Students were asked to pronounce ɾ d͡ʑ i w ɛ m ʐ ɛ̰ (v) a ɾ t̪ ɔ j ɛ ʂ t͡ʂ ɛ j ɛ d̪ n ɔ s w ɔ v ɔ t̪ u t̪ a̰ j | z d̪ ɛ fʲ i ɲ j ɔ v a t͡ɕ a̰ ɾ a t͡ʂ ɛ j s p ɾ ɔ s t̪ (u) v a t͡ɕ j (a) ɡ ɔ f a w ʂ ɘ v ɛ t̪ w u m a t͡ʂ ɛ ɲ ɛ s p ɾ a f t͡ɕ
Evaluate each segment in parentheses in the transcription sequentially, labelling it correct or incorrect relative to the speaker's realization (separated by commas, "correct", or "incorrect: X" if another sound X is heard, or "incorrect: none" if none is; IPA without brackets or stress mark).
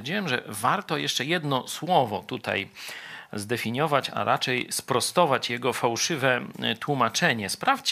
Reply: correct, incorrect: ɔ, incorrect: ɛ